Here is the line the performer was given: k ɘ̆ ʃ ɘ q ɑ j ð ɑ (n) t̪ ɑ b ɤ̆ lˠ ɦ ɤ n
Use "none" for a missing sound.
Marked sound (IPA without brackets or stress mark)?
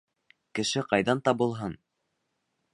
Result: n